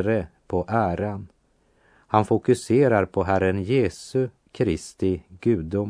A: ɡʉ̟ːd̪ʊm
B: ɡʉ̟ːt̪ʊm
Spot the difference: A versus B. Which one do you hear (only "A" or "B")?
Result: A